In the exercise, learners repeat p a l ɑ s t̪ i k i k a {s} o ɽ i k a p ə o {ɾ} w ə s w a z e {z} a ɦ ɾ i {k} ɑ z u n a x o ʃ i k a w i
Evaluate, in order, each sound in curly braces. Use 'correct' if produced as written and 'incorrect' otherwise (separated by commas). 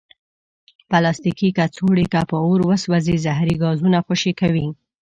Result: incorrect, correct, correct, incorrect